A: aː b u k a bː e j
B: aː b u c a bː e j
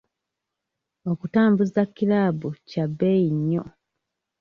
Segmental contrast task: B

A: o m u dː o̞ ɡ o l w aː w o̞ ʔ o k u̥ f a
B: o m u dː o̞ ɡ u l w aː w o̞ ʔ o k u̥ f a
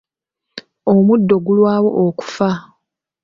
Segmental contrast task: B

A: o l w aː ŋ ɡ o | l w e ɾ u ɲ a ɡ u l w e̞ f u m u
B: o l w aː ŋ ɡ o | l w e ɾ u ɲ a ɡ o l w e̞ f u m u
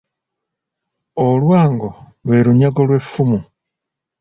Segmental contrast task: B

